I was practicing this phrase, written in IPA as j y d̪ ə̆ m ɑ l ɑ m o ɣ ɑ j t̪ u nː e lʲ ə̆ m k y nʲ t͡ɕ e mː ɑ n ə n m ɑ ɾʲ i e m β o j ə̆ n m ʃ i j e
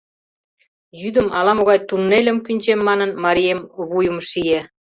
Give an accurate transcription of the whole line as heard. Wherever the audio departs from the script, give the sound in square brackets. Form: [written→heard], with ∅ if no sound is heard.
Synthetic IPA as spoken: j y d̪ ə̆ m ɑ l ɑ m o ɣ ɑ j t̪ u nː e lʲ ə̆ m k y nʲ t͡ɕ e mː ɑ n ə n m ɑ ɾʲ i e m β [o→u] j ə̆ [n→∅] m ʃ i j e